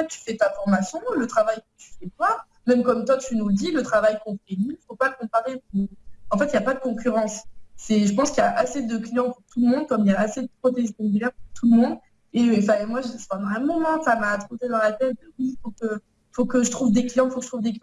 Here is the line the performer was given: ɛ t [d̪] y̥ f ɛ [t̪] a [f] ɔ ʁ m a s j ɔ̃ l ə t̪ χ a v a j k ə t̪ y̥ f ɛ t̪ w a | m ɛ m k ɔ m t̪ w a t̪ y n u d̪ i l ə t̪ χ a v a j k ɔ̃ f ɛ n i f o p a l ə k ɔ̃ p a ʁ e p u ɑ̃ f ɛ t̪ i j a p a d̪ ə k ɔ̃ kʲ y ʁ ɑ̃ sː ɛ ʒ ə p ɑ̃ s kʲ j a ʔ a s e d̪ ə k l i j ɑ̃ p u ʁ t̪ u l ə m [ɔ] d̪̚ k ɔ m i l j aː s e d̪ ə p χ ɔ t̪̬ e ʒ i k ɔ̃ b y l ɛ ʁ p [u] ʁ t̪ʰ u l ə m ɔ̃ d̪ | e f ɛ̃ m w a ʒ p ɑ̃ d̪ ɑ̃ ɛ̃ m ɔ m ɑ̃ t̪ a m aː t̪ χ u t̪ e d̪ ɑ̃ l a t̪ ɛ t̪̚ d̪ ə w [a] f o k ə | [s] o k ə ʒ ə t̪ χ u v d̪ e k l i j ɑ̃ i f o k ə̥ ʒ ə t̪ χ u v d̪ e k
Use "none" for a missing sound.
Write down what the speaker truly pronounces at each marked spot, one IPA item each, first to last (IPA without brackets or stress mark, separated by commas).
t̪, t̪, f, ɔ̃, u, i, f